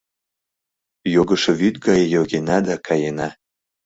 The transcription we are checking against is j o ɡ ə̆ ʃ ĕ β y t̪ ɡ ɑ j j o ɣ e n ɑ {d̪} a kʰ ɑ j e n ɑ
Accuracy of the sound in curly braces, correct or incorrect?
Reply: correct